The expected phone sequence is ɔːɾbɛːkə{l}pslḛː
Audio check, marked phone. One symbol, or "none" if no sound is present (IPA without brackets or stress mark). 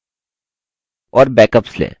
none